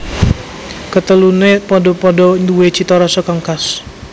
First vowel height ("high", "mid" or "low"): mid